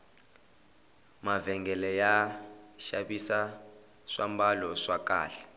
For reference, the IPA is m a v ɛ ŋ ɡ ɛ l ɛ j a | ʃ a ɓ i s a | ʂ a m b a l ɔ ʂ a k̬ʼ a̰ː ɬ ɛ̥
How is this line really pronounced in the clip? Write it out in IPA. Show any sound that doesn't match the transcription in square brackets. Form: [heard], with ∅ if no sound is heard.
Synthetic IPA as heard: m a v ɛ ŋ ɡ ɛ l ɛ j a | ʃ a ɓ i s a | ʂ a m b a l ɔ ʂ a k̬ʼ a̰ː ɬ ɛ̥